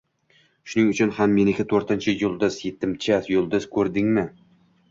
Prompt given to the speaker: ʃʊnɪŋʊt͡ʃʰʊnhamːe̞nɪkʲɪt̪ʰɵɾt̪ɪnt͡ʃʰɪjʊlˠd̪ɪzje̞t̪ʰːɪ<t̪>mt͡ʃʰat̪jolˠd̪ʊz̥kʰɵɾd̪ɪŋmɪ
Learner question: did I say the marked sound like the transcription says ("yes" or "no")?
no